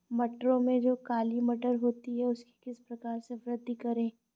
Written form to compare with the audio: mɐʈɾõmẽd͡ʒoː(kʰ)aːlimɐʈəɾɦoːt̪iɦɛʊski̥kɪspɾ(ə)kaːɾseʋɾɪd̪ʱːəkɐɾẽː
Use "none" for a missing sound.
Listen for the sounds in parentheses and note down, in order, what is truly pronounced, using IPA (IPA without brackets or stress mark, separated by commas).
k, ɐ